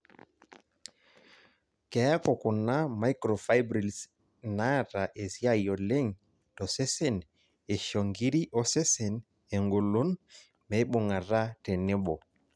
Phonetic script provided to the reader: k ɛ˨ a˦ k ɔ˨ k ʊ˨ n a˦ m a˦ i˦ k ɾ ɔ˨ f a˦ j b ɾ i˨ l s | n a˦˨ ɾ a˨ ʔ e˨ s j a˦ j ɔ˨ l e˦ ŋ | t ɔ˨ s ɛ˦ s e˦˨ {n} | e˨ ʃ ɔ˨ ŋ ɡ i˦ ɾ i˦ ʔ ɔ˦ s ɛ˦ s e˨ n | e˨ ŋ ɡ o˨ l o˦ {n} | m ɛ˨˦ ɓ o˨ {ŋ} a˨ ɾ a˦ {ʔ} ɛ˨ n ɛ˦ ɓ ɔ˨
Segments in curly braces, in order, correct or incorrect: correct, correct, correct, incorrect: t

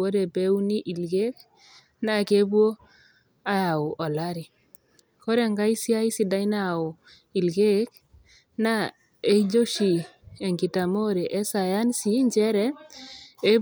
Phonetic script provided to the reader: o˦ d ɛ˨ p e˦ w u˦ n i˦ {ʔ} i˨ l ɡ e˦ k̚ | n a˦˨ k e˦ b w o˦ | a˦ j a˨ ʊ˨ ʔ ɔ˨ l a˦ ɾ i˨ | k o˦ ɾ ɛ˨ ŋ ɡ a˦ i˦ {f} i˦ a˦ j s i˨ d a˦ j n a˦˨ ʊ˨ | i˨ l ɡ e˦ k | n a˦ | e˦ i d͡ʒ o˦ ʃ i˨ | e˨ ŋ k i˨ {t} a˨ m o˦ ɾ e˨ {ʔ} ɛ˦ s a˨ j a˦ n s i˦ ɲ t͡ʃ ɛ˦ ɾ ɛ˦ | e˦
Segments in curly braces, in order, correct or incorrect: correct, incorrect: s, correct, correct

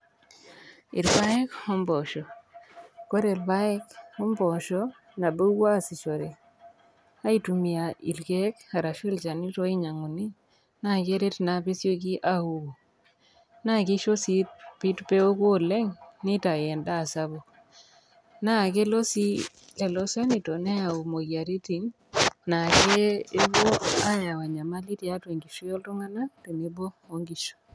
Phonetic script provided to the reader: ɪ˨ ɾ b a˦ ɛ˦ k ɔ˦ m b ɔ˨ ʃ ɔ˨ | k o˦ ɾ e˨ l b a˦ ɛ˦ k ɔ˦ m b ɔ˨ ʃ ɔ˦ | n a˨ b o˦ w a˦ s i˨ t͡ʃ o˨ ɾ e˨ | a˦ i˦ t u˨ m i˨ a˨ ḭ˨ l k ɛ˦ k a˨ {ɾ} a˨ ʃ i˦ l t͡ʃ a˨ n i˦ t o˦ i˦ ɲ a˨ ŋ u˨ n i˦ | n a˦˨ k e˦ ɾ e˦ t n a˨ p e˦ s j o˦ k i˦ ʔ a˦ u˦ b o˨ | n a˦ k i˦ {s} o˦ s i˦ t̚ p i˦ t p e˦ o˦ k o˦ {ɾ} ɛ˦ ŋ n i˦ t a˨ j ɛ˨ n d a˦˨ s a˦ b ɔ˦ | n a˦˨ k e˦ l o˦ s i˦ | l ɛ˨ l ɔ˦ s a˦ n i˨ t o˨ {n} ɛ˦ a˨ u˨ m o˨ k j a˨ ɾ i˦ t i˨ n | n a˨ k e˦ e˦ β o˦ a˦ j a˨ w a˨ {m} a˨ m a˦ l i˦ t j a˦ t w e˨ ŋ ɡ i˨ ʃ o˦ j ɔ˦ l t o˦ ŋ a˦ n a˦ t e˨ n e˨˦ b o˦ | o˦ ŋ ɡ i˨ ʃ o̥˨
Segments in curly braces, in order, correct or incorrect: correct, incorrect: ʃ, incorrect: l, correct, incorrect: ɲ

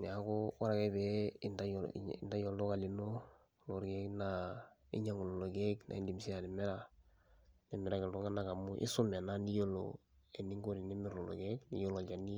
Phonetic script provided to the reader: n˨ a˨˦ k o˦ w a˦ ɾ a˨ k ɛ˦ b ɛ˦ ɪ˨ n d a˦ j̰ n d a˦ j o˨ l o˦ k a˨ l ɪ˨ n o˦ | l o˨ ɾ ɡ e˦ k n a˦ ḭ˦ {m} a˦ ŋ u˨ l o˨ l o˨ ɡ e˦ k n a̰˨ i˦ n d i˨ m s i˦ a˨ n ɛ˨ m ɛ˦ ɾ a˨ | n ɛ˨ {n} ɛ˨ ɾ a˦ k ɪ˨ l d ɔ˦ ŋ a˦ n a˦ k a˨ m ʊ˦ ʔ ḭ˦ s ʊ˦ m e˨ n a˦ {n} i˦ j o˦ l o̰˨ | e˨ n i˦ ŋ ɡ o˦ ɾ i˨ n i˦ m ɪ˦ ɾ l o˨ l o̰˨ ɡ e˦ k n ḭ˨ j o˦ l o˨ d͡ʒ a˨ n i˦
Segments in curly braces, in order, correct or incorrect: incorrect: ɲ, incorrect: m, correct

